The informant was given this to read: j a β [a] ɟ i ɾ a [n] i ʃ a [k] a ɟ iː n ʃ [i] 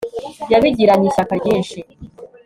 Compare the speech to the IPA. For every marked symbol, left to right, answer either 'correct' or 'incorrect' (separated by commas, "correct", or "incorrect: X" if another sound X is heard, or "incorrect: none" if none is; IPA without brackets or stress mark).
incorrect: i, incorrect: ɲ, correct, correct